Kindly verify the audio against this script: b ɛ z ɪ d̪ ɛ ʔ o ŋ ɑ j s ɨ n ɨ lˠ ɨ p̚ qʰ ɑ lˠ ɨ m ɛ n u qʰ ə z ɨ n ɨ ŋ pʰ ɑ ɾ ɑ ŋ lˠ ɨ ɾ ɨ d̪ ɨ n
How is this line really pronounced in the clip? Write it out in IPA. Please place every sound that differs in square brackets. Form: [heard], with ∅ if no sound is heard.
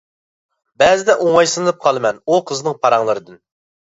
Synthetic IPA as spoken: b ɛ z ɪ d̪ ɛ ʔ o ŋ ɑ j s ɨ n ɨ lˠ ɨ p̚ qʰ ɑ lˠ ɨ m ɛ n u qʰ ə z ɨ n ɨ ŋ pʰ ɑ ɾ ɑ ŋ lˠ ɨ ɾ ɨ d̪ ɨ n